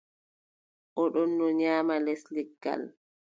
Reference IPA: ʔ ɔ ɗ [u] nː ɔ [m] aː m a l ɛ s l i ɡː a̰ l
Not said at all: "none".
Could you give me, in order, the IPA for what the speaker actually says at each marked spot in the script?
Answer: ɔ, ɲ

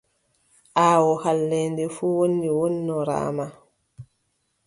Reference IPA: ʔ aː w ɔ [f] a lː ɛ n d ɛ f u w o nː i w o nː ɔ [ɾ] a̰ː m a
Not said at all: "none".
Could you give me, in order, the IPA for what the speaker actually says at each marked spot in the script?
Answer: h, ɾ

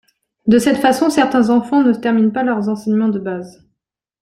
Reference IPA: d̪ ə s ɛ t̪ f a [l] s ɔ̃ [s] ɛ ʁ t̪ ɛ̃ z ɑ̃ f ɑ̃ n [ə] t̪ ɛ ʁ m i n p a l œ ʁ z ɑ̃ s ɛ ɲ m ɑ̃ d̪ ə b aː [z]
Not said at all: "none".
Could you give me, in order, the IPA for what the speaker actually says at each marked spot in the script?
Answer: none, s, ə, z

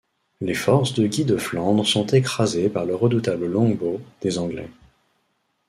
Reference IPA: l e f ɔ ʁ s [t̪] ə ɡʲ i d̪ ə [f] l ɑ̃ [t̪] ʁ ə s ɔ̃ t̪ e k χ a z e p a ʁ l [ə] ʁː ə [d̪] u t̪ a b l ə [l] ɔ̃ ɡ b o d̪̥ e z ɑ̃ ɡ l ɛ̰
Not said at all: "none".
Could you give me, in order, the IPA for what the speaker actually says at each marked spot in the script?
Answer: d̪, f, d̪, ə, d̪, l

